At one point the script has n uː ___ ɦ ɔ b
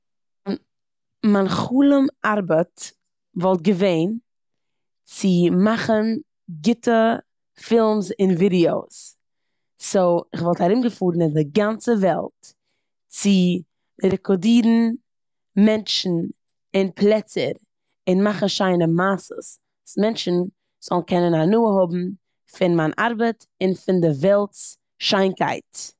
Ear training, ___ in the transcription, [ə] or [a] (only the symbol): ə